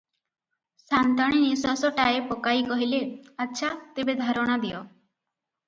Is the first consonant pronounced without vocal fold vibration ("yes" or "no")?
yes